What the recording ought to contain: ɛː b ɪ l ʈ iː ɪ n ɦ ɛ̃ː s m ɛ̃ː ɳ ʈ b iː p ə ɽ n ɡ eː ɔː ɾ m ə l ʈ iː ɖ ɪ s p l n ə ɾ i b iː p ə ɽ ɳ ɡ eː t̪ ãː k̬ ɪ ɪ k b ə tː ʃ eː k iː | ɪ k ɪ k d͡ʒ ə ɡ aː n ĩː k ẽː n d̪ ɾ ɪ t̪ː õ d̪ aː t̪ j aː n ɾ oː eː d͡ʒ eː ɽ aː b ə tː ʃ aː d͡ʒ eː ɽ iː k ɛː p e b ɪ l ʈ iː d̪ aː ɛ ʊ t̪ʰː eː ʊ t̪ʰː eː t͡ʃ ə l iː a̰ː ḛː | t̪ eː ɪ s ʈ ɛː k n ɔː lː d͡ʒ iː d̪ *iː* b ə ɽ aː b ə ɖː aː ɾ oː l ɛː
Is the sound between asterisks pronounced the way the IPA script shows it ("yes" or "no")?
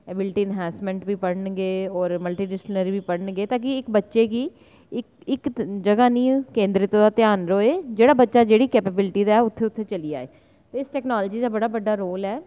no